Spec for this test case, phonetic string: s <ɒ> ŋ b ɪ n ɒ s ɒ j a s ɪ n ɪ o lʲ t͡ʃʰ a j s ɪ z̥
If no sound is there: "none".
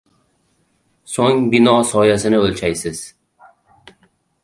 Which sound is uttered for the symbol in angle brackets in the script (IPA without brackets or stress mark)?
o